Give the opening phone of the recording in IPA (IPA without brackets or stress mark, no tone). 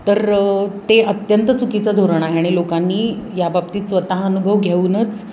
t̪